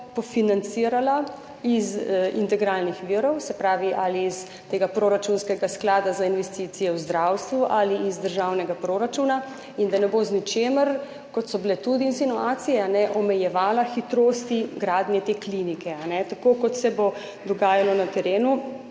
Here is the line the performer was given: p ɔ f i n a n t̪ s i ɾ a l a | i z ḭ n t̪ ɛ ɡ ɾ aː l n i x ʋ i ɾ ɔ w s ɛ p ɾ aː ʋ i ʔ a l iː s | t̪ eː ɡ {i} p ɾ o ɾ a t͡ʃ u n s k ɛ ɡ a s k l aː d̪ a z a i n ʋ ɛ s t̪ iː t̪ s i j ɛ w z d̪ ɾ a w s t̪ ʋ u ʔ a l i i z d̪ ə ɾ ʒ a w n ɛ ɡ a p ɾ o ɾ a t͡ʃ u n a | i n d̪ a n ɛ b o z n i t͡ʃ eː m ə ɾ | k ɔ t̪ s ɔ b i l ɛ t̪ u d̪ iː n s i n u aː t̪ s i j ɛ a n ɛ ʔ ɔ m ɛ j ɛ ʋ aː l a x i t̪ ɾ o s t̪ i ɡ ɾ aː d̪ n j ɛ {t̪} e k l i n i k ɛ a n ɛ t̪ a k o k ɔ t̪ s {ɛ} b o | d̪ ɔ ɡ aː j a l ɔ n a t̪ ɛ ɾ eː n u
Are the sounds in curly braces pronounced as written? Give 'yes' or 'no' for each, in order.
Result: no, yes, yes

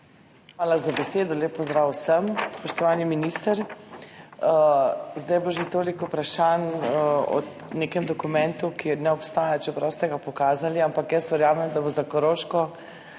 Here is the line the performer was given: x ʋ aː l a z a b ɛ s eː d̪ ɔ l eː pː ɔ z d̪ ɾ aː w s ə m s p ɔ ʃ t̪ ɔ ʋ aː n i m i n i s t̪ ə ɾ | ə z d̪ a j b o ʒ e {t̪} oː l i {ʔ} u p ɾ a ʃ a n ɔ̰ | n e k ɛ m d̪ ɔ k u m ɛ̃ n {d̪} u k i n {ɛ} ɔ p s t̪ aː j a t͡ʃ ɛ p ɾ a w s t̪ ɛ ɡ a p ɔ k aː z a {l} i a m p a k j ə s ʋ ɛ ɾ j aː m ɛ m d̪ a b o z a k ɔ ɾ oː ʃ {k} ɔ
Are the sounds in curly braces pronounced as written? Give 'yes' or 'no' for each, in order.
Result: yes, no, no, yes, yes, yes

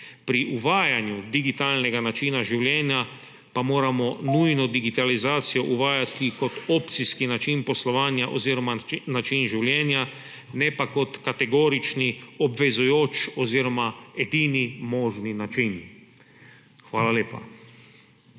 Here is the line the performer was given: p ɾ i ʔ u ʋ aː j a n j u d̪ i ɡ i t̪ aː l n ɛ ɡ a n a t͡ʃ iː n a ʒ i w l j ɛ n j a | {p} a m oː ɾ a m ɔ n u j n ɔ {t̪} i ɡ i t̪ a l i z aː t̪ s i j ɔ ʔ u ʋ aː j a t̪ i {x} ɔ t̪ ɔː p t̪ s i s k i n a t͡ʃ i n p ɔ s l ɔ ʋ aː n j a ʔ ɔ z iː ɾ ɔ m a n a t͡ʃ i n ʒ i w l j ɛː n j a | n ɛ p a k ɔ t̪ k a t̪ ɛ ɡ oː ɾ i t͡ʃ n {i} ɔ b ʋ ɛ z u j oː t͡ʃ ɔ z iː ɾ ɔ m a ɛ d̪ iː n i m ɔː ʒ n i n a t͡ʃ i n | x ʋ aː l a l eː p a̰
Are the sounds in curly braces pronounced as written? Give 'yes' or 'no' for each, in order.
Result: yes, no, no, yes

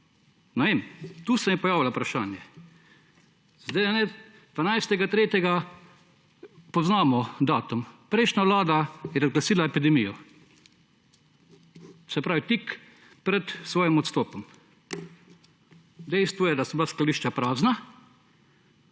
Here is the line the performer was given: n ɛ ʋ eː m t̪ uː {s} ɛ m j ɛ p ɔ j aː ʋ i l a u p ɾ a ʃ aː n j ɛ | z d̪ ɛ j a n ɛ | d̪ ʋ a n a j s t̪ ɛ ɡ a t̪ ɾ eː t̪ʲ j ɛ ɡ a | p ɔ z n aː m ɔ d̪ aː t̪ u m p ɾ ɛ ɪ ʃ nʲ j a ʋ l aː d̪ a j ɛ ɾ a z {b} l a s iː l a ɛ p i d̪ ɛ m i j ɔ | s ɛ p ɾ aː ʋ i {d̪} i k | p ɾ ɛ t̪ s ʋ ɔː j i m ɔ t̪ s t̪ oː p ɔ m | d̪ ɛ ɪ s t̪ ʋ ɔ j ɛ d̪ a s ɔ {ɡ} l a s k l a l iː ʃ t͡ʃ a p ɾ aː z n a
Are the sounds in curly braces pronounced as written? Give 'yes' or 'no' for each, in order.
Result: yes, no, no, no

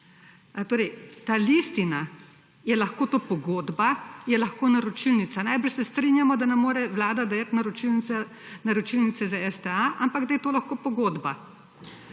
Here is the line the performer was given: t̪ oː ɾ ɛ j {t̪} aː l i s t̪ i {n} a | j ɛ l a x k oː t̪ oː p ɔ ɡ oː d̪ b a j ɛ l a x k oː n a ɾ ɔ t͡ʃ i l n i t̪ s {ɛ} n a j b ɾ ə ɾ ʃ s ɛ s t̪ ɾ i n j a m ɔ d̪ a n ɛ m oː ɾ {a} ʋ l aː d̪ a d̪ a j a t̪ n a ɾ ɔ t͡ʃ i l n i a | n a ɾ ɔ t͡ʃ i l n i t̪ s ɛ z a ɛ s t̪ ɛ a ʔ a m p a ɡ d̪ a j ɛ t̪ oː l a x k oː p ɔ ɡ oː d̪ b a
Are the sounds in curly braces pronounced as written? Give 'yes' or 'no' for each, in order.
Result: yes, yes, no, no

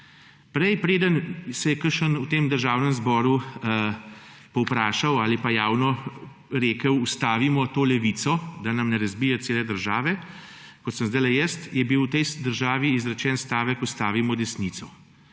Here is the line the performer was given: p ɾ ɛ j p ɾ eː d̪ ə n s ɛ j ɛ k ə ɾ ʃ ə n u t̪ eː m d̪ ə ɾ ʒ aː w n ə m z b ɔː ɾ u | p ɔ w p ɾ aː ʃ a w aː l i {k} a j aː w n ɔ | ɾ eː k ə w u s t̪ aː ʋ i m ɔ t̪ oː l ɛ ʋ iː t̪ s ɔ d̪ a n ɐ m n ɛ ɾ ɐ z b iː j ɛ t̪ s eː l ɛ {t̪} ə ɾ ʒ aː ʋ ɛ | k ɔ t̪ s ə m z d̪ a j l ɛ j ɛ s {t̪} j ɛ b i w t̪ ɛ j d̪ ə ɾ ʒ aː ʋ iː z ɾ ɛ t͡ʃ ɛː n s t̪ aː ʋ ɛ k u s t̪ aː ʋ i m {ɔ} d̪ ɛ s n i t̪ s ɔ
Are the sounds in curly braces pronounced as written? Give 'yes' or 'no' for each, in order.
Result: no, no, yes, yes

